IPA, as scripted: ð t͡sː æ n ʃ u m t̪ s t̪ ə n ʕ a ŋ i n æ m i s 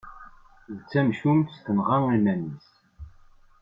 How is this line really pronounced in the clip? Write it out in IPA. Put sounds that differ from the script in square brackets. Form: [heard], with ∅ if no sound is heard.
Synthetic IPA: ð t͡sː æ [m] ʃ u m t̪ s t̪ ə n [ʁ] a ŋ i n æ [n] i s